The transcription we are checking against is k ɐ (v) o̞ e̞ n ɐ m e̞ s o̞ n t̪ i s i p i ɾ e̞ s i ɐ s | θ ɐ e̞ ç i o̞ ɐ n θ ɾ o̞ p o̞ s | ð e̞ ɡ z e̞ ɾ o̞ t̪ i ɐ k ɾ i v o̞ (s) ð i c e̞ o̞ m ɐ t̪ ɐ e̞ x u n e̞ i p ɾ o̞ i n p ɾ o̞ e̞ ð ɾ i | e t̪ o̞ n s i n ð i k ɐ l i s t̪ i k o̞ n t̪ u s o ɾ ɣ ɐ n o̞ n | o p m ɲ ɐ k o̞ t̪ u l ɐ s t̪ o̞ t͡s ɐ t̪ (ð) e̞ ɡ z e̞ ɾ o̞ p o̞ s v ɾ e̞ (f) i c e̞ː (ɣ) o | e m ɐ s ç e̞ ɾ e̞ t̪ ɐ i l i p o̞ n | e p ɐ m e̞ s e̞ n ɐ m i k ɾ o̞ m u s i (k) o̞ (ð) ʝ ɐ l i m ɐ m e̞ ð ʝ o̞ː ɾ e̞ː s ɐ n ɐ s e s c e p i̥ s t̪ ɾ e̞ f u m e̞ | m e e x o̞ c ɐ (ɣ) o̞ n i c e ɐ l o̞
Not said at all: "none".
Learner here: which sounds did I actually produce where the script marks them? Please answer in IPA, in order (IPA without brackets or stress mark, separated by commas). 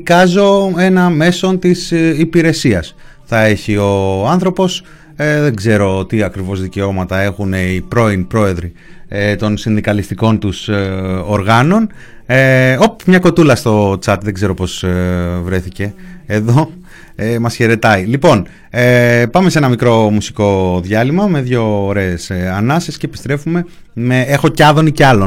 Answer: z, z, ð, θ, ð, k, ð, ð